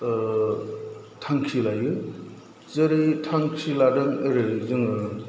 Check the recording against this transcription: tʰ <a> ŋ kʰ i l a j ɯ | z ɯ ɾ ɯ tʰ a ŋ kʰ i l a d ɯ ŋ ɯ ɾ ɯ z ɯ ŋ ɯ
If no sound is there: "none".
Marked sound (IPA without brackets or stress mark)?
a